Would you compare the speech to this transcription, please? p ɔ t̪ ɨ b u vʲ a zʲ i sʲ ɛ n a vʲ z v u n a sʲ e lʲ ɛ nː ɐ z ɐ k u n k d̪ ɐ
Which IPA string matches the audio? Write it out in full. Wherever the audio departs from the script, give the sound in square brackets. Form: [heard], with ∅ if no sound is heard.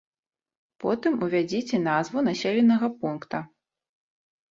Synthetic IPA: p ɔ t̪ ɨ [m] u vʲ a [d͡zʲ] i [t͡sʲ] ɛ n a [∅] z v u n a sʲ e lʲ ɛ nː ɐ [ɣ] ɐ [p] u n k [t̪] ɐ

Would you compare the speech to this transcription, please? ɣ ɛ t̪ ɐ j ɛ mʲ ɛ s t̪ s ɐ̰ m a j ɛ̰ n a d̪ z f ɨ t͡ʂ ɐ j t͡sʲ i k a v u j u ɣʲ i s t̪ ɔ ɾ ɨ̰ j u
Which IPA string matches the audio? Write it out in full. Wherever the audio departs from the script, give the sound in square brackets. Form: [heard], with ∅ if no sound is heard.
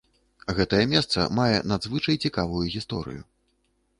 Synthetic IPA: ɣ ɛ t̪ ɐ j ɛ mʲ ɛ s t̪ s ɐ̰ m a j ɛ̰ n a d̪ z [v] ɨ t͡ʂ ɐ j t͡sʲ i k a v u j u ɣʲ i s t̪ ɔ ɾ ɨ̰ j u

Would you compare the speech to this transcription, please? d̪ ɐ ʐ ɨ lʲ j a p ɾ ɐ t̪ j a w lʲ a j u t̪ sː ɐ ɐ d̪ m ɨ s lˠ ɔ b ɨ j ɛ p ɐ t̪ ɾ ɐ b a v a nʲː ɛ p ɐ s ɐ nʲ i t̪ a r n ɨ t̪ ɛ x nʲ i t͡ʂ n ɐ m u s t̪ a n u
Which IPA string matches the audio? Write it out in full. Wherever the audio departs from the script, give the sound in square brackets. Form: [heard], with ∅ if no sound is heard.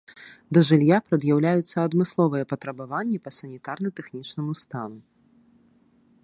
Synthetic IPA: d̪ ɐ ʐ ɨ lʲ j a p ɾ ɐ [d̪] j a w lʲ a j u t̪ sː ɐ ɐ d̪ m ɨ s lˠ ɔ [v] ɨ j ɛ p ɐ t̪ ɾ ɐ b a v a nʲː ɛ p ɐ s ɐ nʲ i t̪ a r n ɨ t̪ ɛ x nʲ i t͡ʂ n ɐ m u s t̪ a n u

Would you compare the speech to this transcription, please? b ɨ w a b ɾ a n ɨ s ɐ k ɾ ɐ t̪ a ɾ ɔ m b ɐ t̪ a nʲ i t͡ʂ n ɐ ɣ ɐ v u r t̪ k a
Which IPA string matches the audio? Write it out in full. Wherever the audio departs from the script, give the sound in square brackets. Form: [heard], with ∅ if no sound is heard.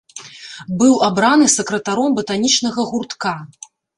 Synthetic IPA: b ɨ w a b ɾ a n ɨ s ɐ k ɾ ɐ t̪ a ɾ ɔ m b ɐ t̪ a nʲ i t͡ʂ n ɐ ɣ ɐ [ɣ] u r t̪ k a

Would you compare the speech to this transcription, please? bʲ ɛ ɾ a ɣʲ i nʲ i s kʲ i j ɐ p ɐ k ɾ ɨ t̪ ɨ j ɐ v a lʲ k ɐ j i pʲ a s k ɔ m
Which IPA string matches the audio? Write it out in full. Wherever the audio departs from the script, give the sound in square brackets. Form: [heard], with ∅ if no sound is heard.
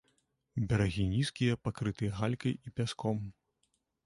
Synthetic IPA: bʲ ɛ ɾ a ɣʲ i nʲ i s kʲ i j ɐ p [a] k ɾ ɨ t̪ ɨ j ɐ [ɣ] a lʲ k ɐ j i pʲ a s k ɔ m

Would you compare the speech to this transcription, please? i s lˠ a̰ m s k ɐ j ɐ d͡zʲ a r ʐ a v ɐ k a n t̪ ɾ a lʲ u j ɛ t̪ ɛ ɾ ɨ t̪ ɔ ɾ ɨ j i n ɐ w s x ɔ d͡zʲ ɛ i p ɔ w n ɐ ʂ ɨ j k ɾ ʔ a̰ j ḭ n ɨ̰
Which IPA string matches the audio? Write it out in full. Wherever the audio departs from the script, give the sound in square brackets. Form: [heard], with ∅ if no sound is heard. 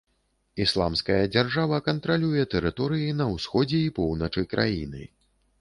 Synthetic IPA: i s lˠ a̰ m s k ɐ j ɐ d͡zʲ a r ʐ a v ɐ k [ɐ] n t̪ ɾ a lʲ u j ɛ t̪ ɛ ɾ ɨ t̪ ɔ ɾ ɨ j i n ɐ w s x ɔ d͡zʲ ɛ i p ɔ w n ɐ [t͡ʂ] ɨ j k ɾ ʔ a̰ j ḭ n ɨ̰

